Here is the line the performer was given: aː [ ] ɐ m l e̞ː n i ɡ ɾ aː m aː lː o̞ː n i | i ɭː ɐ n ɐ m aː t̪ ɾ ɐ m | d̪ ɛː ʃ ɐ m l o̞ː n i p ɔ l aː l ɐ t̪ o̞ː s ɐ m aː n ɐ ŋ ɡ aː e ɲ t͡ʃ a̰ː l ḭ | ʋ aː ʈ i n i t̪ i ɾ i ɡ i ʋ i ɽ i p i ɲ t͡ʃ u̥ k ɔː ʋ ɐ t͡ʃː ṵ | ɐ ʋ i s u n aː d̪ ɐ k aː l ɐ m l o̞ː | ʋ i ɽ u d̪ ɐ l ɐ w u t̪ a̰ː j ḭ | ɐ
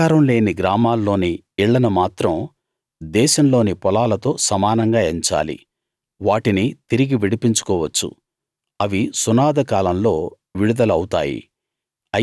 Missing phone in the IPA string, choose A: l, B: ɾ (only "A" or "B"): B